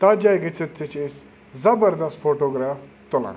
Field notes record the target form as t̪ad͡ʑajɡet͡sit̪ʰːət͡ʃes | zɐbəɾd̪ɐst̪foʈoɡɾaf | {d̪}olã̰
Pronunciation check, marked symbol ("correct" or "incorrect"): incorrect